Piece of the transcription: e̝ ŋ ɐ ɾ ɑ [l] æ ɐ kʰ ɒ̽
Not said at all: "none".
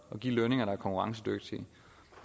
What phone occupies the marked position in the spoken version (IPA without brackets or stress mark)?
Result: none